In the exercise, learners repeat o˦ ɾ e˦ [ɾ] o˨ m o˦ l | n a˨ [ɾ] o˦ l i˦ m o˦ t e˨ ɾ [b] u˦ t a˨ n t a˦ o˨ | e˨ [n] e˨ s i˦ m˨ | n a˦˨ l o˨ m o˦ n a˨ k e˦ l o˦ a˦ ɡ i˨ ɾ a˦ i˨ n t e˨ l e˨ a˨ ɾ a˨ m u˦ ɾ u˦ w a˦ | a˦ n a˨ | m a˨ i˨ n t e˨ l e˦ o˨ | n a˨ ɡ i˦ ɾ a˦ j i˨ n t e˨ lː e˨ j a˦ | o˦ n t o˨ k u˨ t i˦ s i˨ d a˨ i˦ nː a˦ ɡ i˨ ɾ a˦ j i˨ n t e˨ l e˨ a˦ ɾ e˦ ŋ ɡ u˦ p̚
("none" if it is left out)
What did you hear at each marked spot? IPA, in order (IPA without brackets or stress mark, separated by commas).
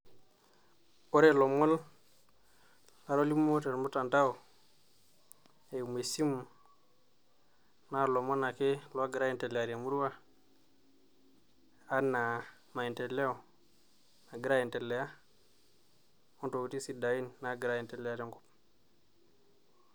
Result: l, ɾ, m, m